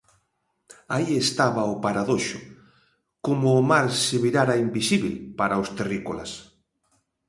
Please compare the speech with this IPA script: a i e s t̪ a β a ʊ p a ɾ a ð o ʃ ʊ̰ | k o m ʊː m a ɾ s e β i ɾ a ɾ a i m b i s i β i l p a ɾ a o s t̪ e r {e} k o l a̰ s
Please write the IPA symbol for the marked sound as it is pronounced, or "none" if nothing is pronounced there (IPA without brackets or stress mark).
i